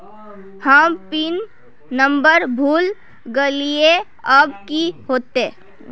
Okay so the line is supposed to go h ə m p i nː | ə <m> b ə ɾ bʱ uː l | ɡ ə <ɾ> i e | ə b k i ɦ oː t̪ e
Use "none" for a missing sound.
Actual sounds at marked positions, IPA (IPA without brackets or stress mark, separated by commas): m, l